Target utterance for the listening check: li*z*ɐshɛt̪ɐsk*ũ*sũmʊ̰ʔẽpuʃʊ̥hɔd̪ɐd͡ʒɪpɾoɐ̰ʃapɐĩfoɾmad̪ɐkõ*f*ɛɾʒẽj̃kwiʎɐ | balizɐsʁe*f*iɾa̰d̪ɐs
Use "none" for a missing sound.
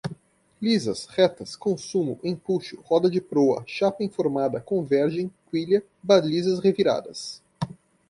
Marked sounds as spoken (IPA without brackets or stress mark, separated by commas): z, õ, v, v